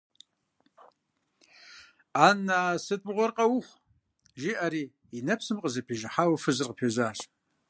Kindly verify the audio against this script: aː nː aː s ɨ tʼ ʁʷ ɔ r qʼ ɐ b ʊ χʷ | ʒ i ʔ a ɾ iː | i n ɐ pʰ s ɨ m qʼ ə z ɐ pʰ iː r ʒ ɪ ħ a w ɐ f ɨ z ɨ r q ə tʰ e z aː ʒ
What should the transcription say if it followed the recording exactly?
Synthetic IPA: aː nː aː s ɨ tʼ ʁʷ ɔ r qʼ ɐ w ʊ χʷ | ʒ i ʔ a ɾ iː | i n ɐ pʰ s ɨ m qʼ ə z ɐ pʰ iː ʒ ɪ ħ a w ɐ f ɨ z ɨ r q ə pʰ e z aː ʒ